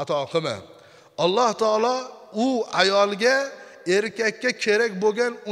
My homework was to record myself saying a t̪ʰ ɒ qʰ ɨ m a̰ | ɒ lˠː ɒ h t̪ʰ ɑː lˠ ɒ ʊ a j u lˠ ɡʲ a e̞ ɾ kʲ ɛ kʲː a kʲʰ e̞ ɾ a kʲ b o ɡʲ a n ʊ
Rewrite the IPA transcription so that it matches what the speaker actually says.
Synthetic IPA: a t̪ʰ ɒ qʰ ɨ m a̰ | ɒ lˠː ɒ h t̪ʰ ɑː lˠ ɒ ʊ a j ɒ lˠ ɡʲ a e̞ ɾ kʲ a kʲː a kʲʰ e̞ ɾ a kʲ b o ɡʲ a n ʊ